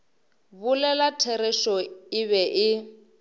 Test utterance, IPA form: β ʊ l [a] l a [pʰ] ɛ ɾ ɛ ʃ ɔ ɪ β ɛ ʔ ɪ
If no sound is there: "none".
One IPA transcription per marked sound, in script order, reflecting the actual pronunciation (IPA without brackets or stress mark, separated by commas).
ɛ, tʰ